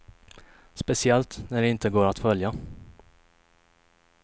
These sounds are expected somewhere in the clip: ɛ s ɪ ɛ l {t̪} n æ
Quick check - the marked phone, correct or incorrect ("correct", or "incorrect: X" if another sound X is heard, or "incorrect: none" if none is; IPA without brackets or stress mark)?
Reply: correct